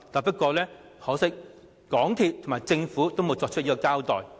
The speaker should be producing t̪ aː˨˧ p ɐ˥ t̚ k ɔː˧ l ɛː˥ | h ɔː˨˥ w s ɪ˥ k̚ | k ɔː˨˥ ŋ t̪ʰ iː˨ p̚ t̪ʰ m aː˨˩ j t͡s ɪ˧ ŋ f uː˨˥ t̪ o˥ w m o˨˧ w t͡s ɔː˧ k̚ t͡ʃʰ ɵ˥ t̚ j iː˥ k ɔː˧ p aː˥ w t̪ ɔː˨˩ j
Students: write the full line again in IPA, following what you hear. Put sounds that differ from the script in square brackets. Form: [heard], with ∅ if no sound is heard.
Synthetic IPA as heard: t̪ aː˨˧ p ɐ˥ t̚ k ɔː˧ l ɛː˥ | h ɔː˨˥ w s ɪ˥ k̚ | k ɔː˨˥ ŋ t̪ʰ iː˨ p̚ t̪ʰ m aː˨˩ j t͡s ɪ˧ ŋ f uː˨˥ t̪ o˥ w m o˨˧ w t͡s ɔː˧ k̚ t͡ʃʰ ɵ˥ t̚ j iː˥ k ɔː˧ [k] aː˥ w t̪ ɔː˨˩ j